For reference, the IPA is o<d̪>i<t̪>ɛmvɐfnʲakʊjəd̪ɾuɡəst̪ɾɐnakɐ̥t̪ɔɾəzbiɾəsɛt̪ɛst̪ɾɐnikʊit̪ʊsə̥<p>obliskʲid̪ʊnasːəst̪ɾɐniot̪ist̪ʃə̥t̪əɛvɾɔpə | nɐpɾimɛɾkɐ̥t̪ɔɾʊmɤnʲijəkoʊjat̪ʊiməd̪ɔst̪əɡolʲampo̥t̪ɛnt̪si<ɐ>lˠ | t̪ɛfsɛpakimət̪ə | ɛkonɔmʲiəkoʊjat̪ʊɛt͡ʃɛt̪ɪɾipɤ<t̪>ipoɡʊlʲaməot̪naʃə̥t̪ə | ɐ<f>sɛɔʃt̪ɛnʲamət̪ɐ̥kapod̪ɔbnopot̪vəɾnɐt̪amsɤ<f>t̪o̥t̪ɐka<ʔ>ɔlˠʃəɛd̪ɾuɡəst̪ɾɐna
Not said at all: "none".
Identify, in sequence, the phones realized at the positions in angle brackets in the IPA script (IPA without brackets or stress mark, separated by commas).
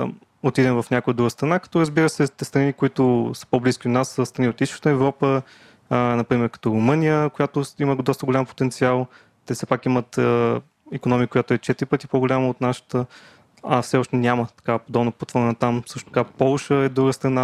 t̪, d̪, p, a, t̪, f, ʃ, p